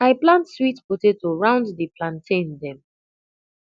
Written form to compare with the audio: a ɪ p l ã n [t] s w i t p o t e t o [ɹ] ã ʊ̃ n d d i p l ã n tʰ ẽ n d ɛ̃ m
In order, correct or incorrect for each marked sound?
correct, correct

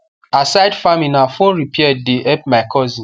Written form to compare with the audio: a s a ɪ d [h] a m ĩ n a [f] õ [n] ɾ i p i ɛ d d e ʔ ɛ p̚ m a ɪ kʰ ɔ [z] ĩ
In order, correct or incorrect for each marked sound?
incorrect: f, correct, correct, correct

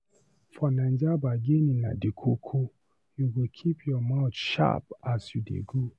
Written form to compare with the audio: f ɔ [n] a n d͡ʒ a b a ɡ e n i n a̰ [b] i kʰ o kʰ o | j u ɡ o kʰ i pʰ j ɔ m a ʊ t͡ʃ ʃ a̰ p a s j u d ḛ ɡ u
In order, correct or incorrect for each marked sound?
correct, incorrect: d

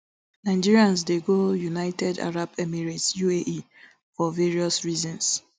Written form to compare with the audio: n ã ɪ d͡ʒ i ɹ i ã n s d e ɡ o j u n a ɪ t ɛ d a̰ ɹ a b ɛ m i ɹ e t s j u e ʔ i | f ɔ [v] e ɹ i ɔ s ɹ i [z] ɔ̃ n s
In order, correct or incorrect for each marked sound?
correct, correct

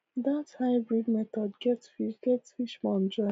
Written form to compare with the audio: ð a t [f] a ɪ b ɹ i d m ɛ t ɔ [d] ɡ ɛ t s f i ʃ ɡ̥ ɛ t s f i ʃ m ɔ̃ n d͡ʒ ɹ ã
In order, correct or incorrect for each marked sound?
incorrect: h, correct

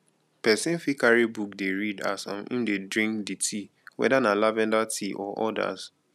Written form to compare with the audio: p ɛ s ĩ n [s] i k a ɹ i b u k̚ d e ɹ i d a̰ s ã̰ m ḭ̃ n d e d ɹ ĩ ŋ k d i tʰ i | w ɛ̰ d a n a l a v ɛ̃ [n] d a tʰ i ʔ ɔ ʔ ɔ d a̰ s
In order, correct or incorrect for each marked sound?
incorrect: f, correct

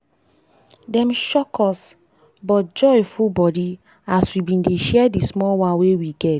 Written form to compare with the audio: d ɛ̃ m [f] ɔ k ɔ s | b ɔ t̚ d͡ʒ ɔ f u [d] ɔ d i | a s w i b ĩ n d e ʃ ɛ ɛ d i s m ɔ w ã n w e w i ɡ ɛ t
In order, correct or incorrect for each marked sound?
incorrect: ʃ, incorrect: b

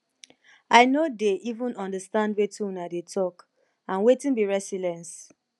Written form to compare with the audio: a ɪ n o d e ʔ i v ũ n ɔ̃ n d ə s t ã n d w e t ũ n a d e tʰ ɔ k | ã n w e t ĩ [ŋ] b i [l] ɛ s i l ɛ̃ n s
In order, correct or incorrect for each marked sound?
incorrect: n, incorrect: ɹ

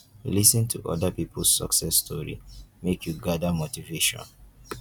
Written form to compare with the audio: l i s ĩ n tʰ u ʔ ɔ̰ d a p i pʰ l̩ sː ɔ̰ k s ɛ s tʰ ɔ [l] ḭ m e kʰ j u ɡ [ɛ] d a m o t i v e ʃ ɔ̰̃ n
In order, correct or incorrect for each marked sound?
incorrect: ɹ, incorrect: a

